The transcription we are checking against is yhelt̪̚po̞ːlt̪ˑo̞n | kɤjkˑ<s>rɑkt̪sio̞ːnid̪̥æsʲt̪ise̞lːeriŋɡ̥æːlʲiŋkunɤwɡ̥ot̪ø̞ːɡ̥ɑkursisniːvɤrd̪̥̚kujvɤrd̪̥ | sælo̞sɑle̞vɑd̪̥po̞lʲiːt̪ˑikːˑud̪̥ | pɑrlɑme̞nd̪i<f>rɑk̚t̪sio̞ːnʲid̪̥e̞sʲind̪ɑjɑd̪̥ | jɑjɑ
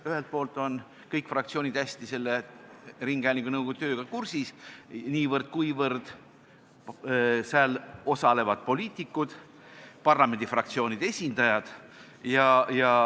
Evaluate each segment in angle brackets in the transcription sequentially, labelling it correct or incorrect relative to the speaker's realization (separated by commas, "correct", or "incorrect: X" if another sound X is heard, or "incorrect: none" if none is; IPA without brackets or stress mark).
incorrect: f, correct